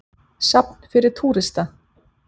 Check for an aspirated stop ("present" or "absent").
present